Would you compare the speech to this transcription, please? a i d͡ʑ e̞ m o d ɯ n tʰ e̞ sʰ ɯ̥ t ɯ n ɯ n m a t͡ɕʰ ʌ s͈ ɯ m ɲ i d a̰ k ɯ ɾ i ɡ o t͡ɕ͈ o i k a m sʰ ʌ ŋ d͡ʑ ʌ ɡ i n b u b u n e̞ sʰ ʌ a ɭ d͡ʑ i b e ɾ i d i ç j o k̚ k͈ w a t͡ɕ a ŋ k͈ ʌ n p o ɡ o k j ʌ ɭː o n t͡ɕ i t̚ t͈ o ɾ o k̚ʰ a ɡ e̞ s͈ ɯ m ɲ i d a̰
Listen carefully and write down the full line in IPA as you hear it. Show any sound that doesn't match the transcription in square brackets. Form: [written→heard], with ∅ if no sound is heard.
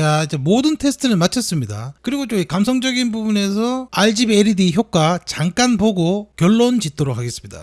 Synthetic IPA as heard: a i d͡ʑ e̞ m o d ɯ n tʰ e̞ sʰ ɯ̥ [t→tʰ] ɯ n ɯ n m a t͡ɕʰ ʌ s͈ ɯ m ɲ i d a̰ k ɯ ɾ i ɡ o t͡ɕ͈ o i k a m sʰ ʌ ŋ d͡ʑ ʌ ɡ i n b u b u n e̞ sʰ ʌ a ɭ d͡ʑ i b e ɾ i d i ç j o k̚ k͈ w a t͡ɕ a ŋ k͈ [ʌ→a] n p o ɡ o k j ʌ ɭː o n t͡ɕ i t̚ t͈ o ɾ o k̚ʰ a ɡ e̞ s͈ ɯ m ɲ i d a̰